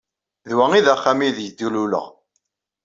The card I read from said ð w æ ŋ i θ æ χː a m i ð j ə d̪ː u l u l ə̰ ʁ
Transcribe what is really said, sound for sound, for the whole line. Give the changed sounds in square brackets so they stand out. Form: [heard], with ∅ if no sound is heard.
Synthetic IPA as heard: ð w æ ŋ i [ð] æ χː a m i ð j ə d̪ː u l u l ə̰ ʁ